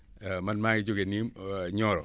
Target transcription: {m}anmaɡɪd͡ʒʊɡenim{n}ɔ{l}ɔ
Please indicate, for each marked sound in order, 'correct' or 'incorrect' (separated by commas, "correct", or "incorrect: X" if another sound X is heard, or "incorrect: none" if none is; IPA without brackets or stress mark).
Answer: correct, incorrect: ɲ, incorrect: ɾ